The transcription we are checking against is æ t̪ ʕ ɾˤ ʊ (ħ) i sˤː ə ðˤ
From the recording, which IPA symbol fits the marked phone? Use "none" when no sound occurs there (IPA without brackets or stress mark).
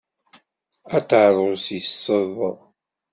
s